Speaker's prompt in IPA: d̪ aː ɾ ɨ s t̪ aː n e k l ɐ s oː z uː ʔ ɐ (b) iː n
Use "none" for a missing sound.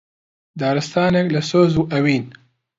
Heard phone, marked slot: w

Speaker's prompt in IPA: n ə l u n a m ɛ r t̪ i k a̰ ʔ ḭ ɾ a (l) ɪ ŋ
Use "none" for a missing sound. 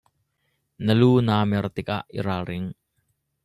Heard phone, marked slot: ɾ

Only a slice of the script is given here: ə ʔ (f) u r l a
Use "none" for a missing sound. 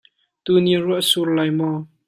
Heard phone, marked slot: s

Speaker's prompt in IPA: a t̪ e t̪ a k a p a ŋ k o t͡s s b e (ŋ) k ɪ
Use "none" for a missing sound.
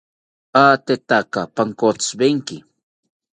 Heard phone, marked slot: ŋ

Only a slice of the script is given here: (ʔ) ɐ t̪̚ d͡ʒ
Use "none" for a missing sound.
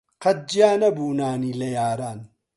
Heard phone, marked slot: q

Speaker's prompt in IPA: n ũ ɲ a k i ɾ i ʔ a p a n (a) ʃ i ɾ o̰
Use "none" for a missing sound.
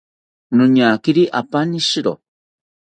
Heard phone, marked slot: i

